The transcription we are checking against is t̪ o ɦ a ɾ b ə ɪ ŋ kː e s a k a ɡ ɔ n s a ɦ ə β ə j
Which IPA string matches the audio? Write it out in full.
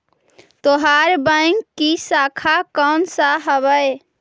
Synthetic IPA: t̪ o ɦ a ɾ b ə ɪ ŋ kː i s a kʰ a k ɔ n s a ɦ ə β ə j

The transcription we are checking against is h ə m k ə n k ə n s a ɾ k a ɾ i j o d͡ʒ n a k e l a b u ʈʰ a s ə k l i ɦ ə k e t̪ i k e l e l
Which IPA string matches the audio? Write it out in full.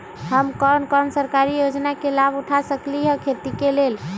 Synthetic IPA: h ə m k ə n k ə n s ə ɾ k a ɾ i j o d͡ʒ n a k e l a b u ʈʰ a s ə k l i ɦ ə kʰ e t̪ i k e l e l

